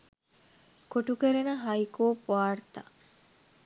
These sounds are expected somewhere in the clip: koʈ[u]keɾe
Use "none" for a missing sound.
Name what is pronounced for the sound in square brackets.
u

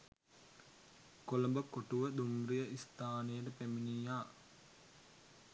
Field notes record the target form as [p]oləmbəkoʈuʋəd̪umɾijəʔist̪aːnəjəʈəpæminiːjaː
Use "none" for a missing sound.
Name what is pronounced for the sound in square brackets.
k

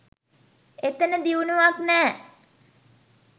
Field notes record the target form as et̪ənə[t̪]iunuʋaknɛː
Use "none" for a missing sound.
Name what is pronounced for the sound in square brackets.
d̪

